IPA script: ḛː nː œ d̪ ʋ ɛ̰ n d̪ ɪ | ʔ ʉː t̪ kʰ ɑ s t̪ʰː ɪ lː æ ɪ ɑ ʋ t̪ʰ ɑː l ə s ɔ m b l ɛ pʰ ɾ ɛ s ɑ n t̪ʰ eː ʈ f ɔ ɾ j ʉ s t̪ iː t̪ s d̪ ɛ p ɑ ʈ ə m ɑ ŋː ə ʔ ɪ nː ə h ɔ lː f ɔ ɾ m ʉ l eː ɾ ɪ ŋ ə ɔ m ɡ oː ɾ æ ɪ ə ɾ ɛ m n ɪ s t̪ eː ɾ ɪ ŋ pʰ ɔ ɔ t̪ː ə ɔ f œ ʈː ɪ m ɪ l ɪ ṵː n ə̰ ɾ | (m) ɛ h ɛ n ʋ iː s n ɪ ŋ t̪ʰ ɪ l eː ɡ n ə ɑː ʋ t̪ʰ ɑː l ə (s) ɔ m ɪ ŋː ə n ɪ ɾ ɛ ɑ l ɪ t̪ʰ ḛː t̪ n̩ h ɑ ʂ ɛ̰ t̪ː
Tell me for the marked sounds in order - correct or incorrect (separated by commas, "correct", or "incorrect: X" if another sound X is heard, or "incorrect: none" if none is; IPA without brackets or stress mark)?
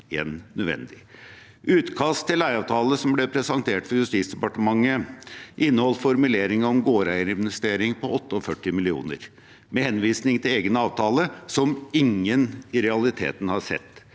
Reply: correct, correct